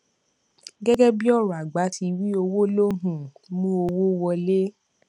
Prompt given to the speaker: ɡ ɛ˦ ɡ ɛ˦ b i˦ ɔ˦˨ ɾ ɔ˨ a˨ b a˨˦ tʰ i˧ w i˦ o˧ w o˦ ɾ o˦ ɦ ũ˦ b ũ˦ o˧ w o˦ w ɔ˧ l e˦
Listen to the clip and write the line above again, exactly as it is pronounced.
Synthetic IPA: ɡ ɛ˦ ɡ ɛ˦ b i˦ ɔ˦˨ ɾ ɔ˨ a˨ ɡ͡b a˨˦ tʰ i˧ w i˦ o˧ w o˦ l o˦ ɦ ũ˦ m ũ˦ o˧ w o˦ w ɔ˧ l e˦